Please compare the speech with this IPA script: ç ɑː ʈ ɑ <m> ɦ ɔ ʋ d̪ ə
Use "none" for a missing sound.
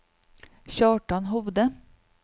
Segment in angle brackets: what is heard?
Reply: n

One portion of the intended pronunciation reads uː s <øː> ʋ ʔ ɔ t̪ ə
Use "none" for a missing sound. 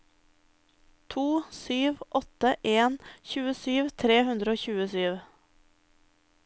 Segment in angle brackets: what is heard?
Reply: yː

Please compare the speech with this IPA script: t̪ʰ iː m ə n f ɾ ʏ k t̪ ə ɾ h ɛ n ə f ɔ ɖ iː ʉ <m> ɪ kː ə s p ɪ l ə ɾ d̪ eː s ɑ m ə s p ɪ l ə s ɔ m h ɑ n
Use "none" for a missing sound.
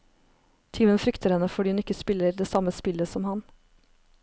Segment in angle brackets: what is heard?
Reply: n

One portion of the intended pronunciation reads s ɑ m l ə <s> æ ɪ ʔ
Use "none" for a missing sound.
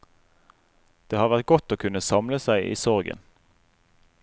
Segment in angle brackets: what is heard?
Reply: s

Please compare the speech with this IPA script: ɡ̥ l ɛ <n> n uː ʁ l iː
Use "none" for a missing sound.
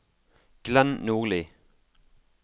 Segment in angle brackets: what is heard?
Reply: n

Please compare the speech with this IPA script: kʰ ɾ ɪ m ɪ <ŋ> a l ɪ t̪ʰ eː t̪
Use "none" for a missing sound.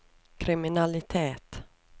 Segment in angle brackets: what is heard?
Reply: n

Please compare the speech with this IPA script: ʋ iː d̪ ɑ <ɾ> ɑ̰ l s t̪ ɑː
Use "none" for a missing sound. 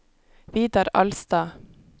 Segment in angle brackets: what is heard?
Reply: ɾ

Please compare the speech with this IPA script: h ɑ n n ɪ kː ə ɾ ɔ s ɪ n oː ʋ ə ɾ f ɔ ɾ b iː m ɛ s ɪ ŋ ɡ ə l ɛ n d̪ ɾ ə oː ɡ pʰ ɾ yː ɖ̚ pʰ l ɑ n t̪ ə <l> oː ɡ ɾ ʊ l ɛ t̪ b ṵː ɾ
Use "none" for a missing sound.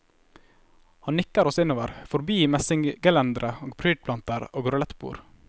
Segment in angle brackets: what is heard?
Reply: ɾ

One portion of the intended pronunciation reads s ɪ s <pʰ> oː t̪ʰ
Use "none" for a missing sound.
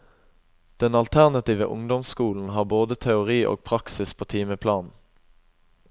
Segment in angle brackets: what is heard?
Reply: pʰ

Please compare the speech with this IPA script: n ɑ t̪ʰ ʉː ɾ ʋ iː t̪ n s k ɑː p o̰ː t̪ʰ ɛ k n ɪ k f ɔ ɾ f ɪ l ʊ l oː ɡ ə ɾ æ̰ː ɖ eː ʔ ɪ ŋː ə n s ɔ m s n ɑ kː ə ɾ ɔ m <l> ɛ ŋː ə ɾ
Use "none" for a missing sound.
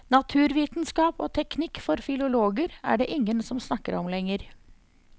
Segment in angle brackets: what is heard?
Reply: l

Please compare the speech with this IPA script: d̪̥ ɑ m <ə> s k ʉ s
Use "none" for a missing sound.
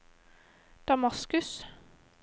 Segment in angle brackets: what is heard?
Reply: ɑ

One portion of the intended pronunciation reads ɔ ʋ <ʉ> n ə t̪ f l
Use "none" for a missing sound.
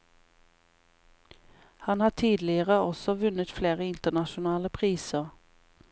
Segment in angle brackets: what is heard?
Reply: ʉ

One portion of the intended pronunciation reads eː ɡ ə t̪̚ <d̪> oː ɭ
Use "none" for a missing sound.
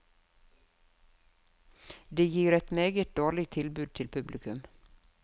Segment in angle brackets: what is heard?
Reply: d̪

